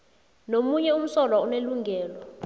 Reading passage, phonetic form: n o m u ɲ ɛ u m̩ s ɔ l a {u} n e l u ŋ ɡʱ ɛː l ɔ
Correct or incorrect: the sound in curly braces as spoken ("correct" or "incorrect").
correct